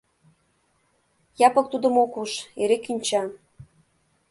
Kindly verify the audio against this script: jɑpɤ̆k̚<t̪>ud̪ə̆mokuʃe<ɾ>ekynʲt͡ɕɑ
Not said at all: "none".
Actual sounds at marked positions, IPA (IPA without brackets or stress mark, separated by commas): t̪, ɾ